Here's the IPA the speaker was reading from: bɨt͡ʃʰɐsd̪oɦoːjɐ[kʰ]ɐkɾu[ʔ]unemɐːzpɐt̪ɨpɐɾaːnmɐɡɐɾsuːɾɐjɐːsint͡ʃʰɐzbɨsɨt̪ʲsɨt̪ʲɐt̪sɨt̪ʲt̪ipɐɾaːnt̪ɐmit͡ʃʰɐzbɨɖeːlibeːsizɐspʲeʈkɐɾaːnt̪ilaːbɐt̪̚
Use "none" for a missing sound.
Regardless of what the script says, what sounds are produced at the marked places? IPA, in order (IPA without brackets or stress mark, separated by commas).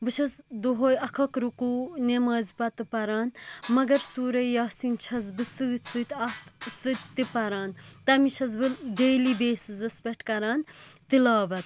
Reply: kʰ, k